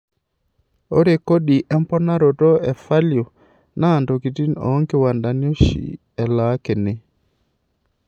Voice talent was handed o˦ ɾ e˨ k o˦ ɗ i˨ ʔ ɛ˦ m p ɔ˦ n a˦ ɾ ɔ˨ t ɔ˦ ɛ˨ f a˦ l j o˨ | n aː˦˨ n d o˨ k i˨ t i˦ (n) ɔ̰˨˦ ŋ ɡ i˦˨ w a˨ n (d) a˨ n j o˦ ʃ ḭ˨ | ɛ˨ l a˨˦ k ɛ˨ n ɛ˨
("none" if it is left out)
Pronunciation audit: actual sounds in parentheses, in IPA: n, d

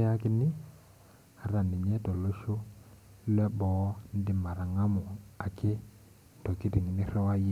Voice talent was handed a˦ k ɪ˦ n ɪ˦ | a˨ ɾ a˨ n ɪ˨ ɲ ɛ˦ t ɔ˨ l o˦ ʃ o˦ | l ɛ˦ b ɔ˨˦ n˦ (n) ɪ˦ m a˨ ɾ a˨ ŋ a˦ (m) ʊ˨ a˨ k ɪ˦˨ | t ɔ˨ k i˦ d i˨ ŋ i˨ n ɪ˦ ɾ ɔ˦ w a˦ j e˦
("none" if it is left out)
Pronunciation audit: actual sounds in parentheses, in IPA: d, m

